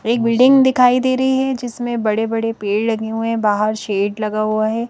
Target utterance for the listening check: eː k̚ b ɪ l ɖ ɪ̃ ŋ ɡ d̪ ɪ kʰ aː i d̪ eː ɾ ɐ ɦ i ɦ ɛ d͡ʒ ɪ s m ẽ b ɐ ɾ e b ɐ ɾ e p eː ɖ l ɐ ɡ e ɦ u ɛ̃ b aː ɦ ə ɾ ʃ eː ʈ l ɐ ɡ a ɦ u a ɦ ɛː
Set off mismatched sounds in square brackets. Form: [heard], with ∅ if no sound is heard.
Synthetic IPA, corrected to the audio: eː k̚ b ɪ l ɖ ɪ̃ ŋ ɡ d̪ ɪ kʰ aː i d̪ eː ɾ ɐ ɦ i ɦ ɛ d͡ʒ ɪ s m ẽ b ɐ [ɽ] e b ɐ [ɽ] e p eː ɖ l ɐ ɡ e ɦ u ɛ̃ b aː ɦ ə ɾ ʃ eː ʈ l ɐ ɡ a ɦ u a ɦ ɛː